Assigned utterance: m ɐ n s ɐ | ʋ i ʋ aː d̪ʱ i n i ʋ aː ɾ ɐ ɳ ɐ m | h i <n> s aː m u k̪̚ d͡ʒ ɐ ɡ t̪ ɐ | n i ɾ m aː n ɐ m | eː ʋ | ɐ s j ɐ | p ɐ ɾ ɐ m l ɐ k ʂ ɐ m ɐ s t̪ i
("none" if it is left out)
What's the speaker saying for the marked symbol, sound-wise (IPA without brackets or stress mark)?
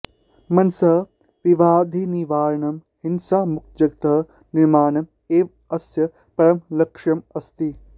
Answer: n